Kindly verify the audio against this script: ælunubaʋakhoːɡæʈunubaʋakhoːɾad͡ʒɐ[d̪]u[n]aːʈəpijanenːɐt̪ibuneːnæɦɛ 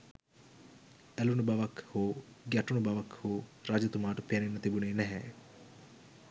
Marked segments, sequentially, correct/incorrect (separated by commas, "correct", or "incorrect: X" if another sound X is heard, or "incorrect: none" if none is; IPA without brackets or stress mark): incorrect: t̪, incorrect: m